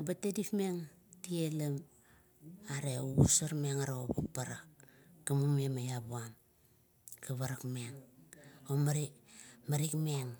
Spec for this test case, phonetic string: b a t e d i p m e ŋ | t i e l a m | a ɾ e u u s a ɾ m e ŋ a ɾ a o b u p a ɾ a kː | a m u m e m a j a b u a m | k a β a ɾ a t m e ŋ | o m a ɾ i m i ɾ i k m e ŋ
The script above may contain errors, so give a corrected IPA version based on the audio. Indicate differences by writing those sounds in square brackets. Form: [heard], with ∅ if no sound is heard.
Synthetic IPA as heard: b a t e d i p m e ŋ | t i e l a m | a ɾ e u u s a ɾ m e ŋ a ɾ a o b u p a ɾ a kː | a m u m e m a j a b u a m | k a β a ɾ a [k] m e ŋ | o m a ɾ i m [a] ɾ i k m e ŋ

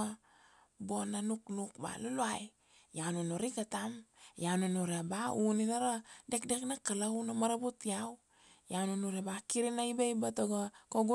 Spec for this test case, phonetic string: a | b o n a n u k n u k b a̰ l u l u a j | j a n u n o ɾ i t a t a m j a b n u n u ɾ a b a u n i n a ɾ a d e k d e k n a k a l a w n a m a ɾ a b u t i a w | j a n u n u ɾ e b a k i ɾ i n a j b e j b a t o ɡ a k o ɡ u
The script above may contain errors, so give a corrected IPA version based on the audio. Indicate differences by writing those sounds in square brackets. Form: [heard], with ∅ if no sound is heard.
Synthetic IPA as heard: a | b o n a n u k n u k b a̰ l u l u a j | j a n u n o ɾ i [k] a t a m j a [∅] n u n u ɾ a b a u n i n a ɾ a d e k d e k n a k a l a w n a m a ɾ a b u t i a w | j a n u n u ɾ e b a k i ɾ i n a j b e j b a t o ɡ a k o ɡ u

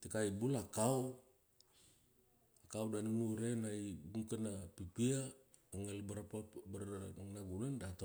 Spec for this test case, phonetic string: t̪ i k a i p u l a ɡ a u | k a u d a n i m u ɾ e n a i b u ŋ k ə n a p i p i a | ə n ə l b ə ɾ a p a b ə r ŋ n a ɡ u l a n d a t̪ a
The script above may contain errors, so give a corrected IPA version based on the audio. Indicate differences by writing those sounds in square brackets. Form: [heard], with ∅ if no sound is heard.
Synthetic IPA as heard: t̪ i k a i [b] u l a [k] a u | k a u d a n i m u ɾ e n a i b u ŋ k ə n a p i p i a | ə [ŋ] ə l b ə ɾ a p a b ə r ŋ n a ɡ u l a n d a t̪ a

